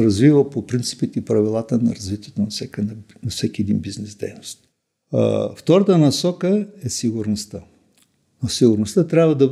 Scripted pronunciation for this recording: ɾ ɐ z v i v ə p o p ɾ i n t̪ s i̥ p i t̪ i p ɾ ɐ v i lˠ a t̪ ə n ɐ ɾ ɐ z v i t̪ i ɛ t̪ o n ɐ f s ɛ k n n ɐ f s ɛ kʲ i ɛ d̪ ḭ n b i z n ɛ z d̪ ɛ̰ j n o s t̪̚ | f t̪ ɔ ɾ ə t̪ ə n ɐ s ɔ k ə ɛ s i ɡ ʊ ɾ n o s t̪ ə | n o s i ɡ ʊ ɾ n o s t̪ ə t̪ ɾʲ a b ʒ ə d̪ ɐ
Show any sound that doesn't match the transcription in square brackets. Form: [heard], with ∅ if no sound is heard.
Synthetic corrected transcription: ɾ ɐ z v i v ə p o p ɾ i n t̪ s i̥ p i t̪ i p ɾ ɐ v i lˠ a t̪ ə n ɐ ɾ ɐ z v i t̪ i ɛ t̪ o n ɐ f s ɛ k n n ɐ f s ɛ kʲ i ɛ d̪ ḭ n b i z n ɛ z d̪ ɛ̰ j n o s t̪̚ | f t̪ ɔ ɾ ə t̪ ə n ɐ s ɔ k ə ɛ s i ɡ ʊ ɾ n o s t̪ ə | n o s i ɡ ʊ ɾ n o s t̪ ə t̪ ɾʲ a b [v] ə d̪ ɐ